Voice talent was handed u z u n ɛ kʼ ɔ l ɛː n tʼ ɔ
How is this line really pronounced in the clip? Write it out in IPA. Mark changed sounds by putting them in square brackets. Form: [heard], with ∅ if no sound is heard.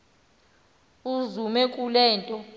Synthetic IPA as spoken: u z u [m] ɛ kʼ [u] l ɛː n tʼ ɔ